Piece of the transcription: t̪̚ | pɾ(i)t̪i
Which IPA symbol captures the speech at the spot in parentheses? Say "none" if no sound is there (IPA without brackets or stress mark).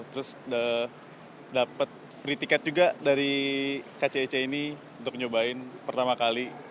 i